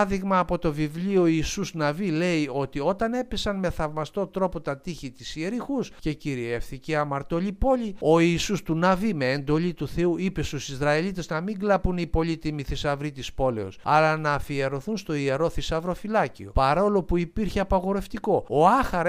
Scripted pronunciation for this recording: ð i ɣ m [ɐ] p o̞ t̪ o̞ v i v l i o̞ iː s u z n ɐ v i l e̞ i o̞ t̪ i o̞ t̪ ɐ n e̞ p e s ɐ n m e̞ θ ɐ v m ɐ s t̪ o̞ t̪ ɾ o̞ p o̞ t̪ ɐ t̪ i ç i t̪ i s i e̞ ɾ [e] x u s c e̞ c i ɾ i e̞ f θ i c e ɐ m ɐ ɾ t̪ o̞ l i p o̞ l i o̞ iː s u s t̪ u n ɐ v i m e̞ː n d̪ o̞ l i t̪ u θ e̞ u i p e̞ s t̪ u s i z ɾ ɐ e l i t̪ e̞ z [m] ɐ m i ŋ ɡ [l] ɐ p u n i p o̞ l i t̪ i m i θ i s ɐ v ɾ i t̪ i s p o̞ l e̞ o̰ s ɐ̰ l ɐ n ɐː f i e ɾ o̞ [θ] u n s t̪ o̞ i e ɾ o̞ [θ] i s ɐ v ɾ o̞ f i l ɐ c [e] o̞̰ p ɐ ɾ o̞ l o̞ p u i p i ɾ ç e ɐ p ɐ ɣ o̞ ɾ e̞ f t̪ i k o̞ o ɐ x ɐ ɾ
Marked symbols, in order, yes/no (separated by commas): no, no, no, yes, yes, yes, no